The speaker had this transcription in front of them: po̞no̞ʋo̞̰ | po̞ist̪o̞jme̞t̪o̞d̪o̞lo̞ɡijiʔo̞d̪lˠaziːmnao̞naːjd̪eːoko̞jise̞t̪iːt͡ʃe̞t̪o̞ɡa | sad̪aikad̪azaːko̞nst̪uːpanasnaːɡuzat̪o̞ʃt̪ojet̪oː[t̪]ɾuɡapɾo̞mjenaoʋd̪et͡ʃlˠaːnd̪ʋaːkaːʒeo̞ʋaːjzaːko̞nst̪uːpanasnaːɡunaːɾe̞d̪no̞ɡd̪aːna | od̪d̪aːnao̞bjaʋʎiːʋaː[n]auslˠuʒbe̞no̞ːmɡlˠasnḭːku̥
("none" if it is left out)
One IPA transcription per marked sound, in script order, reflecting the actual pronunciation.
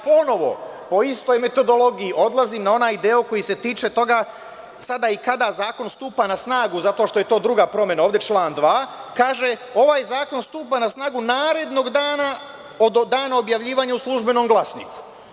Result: d̪, ɲ

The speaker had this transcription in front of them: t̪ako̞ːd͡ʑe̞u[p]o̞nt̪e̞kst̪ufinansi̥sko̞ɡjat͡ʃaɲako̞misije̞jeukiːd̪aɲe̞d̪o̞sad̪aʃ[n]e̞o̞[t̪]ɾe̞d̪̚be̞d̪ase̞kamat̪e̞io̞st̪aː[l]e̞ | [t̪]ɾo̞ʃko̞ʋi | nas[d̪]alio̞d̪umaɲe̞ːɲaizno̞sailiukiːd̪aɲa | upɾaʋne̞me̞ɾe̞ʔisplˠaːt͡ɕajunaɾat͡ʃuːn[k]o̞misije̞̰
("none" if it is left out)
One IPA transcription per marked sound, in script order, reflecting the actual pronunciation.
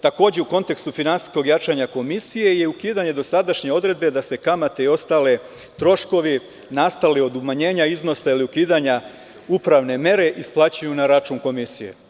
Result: k, ɲ, d̪, l, t̪, t̪, k

